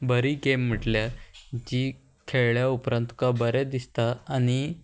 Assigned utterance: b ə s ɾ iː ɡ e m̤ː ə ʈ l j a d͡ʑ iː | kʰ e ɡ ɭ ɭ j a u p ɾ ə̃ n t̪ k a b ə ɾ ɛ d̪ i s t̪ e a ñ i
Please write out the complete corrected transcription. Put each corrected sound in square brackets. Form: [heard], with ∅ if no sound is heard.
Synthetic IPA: b ə [∅] ɾ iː ɡ e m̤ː ə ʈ l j a d͡ʑ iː | kʰ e [∅] ɭ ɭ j a u p ɾ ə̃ n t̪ k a b ə ɾ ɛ d̪ i s t̪ [a] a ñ i